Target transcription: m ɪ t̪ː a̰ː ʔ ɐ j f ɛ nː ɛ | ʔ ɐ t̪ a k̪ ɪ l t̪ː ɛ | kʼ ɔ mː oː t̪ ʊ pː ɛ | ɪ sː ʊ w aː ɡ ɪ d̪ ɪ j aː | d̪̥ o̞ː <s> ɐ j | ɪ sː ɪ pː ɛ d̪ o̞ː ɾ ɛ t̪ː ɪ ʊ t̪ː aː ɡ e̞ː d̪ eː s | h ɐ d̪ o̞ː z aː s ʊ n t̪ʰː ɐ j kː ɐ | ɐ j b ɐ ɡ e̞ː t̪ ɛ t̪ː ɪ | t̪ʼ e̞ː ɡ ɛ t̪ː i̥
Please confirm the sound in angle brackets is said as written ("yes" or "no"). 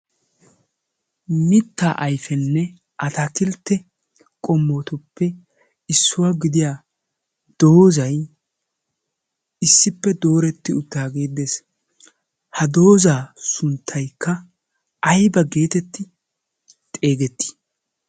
no